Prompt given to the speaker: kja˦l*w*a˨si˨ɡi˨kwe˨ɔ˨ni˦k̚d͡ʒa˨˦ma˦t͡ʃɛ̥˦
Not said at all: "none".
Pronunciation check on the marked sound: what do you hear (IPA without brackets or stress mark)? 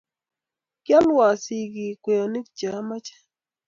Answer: w